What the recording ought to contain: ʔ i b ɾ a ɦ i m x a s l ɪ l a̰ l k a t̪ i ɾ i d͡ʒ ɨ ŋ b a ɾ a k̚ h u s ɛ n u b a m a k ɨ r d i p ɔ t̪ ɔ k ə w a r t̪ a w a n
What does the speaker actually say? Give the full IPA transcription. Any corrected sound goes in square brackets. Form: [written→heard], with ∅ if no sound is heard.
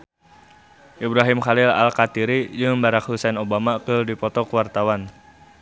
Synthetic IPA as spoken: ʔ i b ɾ a ɦ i m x a [s→∅] l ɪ l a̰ l k a t̪ i ɾ i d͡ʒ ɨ ŋ b a ɾ a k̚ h u s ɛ n [u→o] b a m a k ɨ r d i p ɔ t̪ ɔ k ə w a r t̪ a w a n